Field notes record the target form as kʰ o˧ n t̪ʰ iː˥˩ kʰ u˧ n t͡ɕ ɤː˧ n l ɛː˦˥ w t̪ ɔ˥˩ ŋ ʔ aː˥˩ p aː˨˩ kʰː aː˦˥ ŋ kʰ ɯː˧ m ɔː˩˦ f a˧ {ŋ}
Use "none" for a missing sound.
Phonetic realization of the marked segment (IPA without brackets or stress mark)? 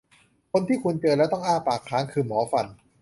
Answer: n